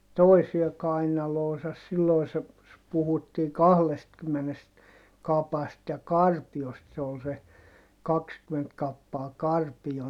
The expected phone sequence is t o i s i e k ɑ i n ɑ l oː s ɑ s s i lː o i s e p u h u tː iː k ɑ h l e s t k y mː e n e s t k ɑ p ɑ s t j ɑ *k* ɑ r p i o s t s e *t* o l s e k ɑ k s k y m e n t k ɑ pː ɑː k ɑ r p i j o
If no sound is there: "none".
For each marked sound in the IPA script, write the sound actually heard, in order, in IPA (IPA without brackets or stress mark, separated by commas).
k, none